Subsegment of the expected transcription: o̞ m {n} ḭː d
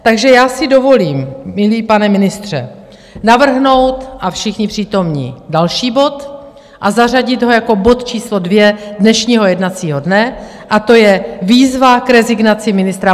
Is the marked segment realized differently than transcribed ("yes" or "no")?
yes